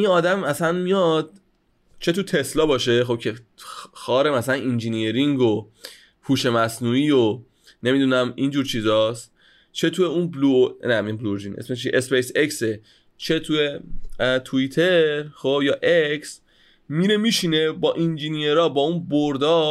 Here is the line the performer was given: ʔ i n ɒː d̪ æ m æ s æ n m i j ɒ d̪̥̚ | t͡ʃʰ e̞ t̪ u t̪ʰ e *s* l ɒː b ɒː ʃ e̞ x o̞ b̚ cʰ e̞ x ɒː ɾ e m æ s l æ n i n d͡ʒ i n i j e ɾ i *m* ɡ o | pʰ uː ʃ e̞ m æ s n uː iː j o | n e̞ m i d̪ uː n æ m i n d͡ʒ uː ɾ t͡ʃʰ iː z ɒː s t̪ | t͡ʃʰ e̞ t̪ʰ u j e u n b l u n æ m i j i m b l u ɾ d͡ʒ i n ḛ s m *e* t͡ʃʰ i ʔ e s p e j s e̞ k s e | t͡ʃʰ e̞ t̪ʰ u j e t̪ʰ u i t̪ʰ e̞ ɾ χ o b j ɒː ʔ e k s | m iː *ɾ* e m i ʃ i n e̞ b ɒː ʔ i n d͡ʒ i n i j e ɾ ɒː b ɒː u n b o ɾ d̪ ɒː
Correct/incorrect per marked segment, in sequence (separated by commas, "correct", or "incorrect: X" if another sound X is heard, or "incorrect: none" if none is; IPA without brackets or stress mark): correct, incorrect: ŋ, correct, correct